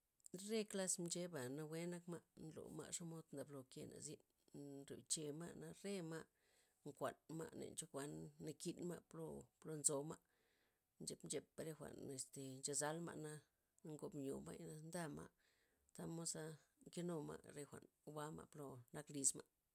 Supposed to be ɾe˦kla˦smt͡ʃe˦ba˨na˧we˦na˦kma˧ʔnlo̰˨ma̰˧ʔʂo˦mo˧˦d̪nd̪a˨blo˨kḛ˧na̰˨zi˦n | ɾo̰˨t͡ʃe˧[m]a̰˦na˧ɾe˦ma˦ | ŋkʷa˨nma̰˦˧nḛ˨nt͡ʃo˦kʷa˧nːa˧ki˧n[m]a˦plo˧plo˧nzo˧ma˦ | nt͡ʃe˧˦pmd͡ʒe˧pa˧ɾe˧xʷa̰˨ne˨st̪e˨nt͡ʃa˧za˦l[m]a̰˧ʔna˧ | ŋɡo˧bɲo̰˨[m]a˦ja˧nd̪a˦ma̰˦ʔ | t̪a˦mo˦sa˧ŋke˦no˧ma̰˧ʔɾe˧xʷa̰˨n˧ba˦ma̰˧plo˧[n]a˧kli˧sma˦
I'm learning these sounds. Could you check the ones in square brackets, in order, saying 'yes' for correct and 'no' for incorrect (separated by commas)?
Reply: yes, yes, yes, yes, yes